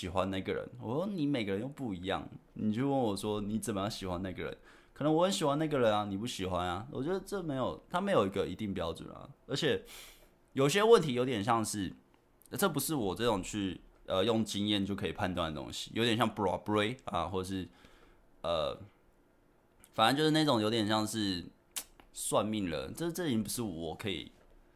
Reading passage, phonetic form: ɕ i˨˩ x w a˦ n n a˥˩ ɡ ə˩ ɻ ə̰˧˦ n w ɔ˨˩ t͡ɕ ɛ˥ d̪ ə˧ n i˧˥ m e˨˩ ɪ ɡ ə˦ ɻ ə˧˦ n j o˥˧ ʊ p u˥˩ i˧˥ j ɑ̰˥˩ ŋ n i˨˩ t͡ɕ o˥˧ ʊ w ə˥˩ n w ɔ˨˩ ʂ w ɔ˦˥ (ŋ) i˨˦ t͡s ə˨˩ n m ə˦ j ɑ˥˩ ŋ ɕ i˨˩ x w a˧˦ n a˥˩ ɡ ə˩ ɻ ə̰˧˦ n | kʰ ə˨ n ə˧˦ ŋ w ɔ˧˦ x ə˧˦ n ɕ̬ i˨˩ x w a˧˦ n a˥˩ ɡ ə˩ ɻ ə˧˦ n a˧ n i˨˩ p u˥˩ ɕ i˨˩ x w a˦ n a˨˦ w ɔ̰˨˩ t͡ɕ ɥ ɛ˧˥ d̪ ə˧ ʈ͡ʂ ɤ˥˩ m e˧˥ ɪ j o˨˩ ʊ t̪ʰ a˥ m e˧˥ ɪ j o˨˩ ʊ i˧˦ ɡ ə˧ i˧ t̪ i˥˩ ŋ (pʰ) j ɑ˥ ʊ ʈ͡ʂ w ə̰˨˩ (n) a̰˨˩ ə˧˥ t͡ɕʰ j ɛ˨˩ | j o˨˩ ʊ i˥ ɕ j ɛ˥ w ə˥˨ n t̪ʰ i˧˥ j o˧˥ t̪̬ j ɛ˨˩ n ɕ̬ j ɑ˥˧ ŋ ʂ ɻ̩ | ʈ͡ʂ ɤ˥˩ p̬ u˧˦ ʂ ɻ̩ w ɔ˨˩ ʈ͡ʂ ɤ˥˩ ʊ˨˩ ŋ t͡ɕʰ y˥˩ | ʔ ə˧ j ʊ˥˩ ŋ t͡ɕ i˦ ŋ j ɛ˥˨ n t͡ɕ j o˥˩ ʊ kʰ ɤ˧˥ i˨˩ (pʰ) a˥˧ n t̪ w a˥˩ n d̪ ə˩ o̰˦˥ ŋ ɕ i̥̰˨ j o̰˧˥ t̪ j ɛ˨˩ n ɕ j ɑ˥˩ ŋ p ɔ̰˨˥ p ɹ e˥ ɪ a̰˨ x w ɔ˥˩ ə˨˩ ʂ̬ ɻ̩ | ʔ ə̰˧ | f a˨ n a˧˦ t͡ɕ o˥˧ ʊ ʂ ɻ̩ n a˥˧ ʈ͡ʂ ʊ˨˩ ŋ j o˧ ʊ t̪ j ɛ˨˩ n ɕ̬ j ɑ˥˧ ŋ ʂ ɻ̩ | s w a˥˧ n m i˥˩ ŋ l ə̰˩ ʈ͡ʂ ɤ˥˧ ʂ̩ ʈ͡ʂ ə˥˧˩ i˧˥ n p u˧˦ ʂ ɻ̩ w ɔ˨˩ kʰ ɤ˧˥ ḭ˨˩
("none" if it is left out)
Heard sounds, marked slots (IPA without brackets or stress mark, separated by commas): n, p, n, pʰ